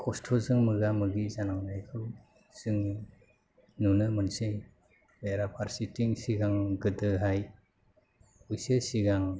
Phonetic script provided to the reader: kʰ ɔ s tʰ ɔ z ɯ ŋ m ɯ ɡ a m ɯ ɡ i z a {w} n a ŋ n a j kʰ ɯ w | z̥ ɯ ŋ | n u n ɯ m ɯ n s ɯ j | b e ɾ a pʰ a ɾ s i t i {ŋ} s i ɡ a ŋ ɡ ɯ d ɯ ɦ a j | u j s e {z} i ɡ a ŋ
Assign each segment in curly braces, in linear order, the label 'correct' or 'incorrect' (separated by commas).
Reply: incorrect, correct, incorrect